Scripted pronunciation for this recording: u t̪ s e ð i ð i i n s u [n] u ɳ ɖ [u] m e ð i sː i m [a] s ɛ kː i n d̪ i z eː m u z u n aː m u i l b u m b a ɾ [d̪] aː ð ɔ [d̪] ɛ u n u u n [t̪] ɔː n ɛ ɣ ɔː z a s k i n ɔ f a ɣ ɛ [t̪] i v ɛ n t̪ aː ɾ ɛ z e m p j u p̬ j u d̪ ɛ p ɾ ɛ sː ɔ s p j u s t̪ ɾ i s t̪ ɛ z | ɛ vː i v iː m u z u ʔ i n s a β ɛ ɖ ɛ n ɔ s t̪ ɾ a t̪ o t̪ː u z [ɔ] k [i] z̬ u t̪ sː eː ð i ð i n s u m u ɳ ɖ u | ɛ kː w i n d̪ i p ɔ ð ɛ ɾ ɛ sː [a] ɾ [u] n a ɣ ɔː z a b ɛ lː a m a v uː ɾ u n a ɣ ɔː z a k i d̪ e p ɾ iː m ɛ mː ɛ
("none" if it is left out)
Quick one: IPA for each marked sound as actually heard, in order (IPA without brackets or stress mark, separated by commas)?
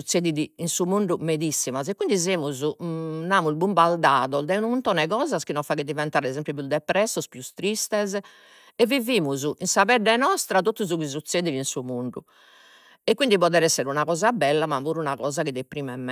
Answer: m, u, a, d̪, d̪, t̪, d̪, u, i, ɛ, u